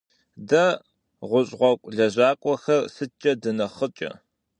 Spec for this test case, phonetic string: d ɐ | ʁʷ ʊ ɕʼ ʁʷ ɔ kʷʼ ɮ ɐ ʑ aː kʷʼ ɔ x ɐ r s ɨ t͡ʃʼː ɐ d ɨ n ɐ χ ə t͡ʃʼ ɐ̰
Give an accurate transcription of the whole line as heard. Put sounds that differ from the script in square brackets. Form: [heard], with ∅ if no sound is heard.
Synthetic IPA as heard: d ɐ | ʁʷ ʊ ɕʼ ʁʷ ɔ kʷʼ ɮ ɐ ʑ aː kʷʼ ɔ x ɐ r s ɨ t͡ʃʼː ɐ d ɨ n ɐ χ ə t͡ʃʼ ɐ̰